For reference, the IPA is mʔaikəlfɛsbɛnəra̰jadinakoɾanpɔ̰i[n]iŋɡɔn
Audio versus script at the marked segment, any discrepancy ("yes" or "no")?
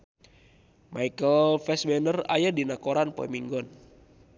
yes